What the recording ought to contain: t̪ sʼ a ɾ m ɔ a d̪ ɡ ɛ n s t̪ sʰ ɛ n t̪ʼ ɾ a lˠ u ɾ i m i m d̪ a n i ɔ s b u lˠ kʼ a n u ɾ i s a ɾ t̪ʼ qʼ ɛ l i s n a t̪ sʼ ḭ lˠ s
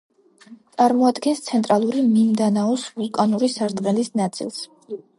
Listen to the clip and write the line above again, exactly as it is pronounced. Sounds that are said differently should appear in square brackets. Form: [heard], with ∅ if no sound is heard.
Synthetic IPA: t̪ sʼ a ɾ m ɔ a d̪ ɡ ɛ n s t̪ sʰ ɛ n t̪ʼ ɾ a lˠ u ɾ i m i m d̪ a n [a] ɔ s [v] u lˠ kʼ a n u ɾ i s a ɾ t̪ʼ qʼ ɛ l i s n a t̪ sʼ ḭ lˠ s